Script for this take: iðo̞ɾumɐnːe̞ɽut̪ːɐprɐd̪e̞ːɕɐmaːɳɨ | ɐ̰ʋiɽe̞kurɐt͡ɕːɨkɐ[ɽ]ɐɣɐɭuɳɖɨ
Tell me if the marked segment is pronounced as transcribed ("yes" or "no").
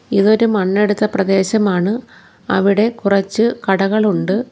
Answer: yes